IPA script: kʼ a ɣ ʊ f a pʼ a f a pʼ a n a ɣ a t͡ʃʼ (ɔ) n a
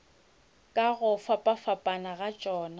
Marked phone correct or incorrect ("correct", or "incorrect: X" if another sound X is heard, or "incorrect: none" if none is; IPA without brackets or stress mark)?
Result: incorrect: ɔː